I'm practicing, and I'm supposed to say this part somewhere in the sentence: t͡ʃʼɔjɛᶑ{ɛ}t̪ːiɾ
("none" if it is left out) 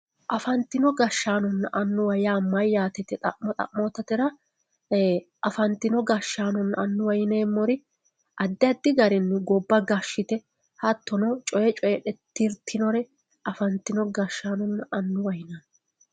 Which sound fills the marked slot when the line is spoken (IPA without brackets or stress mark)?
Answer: ɛ